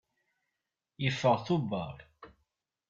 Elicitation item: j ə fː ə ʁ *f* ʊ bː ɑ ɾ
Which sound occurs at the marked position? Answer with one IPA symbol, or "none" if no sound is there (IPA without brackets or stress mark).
θ